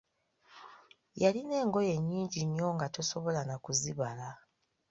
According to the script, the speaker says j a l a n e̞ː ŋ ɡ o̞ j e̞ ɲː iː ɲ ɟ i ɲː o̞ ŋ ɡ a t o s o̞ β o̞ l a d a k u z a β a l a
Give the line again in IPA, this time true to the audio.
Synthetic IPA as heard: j a l i n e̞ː ŋ ɡ o̞ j e̞ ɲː iː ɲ ɟ i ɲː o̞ ŋ ɡ a t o s o̞ β o̞ l a n a k u z i β a l a